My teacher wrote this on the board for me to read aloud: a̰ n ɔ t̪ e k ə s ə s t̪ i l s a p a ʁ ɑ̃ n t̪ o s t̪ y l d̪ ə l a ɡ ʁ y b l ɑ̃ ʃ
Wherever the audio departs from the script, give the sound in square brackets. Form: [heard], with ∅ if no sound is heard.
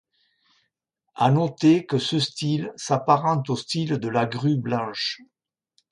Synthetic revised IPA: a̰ n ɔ t̪ e k ə s ə s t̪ i l s a p a ʁ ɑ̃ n t̪ o s t̪ [i] l d̪ ə l a ɡ ʁ y b l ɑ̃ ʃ